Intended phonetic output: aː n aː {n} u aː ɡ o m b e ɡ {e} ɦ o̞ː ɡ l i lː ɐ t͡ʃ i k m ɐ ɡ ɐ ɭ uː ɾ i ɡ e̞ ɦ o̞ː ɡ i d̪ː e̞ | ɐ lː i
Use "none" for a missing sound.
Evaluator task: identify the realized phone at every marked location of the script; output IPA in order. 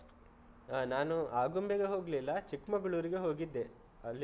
n, e

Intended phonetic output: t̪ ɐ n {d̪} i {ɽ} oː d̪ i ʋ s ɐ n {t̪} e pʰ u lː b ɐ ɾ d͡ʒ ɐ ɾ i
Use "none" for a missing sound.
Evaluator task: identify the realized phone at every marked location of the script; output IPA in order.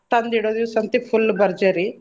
d̪, ɽ, t̪

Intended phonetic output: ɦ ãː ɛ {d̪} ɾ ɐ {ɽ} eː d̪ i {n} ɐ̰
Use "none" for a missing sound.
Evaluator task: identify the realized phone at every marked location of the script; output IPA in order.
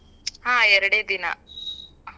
none, ɽ, n

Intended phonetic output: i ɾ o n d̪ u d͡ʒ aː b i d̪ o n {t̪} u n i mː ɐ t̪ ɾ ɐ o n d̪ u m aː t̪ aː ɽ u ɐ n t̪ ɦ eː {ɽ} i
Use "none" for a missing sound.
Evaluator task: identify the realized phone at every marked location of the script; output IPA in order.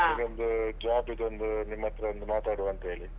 d̪, ɭ

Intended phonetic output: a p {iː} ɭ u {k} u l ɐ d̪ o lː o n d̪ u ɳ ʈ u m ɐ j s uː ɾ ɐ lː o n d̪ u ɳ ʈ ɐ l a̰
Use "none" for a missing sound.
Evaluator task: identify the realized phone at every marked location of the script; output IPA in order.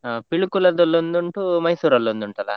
i, k

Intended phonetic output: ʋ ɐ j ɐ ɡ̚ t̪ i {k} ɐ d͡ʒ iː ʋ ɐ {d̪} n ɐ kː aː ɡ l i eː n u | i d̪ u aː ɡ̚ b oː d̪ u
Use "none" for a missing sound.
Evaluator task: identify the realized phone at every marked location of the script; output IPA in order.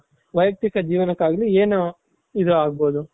k, none

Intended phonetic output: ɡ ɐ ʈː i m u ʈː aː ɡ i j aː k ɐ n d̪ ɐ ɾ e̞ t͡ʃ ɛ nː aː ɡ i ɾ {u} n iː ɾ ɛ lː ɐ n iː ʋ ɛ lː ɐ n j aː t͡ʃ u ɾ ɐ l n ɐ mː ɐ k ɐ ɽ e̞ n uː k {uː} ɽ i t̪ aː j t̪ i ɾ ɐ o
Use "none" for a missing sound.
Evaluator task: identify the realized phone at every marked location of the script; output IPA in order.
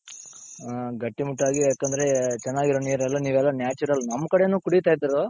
o, u

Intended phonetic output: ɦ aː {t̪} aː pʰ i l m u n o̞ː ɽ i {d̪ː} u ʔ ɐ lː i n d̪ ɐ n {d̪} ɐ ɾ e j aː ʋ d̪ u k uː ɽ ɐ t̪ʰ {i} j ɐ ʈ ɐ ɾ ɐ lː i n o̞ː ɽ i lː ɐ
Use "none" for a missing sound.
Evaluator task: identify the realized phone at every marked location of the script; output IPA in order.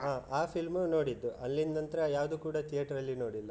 none, d̪ː, t̪, i

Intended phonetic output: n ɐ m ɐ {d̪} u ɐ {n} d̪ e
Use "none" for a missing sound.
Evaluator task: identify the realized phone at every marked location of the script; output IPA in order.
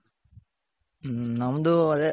d̪, none

